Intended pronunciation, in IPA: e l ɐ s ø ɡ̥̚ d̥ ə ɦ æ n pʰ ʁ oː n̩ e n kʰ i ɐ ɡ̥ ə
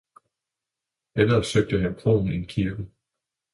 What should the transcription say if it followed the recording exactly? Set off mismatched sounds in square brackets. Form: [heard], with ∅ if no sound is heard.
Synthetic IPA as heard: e l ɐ s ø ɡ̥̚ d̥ ə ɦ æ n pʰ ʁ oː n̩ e n kʰ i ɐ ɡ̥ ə